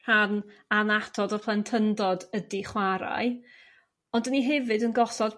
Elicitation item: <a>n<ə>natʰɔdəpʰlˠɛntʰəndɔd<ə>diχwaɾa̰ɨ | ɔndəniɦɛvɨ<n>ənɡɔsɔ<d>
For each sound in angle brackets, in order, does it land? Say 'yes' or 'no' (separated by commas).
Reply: yes, no, yes, no, yes